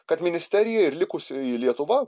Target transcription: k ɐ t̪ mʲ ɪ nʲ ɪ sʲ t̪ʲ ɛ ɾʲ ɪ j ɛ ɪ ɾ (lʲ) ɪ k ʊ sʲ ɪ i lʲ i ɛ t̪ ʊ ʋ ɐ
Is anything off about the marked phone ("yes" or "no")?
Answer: no